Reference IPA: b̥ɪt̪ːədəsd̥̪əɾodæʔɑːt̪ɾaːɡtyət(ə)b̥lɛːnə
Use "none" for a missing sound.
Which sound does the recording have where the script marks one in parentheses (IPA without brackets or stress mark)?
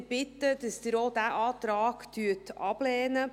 ɑ